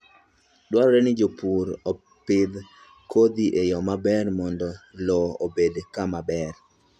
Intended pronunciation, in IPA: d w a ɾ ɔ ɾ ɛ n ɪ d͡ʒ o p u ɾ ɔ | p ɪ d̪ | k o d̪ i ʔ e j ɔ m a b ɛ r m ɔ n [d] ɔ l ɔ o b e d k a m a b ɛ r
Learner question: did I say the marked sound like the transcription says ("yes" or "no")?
yes